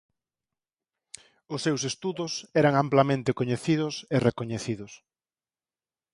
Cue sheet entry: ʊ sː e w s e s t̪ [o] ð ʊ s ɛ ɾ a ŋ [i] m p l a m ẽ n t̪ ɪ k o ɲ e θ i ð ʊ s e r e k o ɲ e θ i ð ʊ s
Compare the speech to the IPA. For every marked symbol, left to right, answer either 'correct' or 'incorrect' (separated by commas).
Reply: incorrect, incorrect